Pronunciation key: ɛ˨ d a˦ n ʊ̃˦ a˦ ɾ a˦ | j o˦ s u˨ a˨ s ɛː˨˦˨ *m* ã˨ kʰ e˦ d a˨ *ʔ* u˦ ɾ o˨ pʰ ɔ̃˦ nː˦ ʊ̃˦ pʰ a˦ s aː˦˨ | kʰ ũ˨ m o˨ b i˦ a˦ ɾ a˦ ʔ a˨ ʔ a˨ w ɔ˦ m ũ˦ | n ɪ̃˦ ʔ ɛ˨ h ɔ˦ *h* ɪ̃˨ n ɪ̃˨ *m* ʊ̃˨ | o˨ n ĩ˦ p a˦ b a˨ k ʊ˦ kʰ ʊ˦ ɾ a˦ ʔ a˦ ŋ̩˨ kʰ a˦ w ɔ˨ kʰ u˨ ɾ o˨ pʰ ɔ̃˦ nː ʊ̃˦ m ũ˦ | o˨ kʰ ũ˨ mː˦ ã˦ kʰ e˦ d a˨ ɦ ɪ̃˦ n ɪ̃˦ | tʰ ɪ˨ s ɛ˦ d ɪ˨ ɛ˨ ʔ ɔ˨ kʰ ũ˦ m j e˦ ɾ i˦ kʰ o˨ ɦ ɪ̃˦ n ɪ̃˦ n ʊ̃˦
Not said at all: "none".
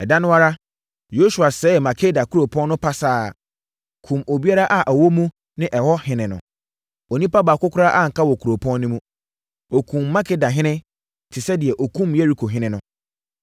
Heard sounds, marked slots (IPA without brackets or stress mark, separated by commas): m, k, h, n